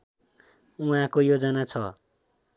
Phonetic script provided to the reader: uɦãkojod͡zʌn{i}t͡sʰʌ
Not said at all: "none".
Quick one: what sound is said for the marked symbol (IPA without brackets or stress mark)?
a